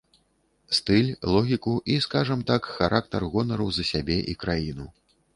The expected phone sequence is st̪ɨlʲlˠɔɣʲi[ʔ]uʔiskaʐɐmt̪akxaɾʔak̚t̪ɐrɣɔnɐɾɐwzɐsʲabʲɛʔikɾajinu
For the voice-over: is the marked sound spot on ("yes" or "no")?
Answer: no